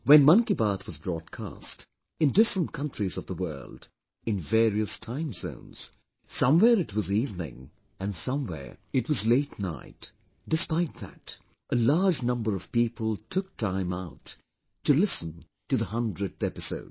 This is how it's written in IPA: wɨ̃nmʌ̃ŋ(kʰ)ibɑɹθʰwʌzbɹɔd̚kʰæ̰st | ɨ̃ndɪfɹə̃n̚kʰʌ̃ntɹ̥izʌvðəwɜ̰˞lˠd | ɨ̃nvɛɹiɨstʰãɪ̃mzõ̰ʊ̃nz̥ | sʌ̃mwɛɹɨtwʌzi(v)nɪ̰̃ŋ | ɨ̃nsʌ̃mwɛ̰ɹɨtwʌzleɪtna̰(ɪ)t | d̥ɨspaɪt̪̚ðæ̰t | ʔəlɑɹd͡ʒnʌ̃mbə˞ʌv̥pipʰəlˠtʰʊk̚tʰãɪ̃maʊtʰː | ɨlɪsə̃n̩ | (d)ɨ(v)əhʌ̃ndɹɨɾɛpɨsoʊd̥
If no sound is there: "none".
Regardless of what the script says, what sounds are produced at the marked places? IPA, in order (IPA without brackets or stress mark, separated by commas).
k, v, ɪ, t, ð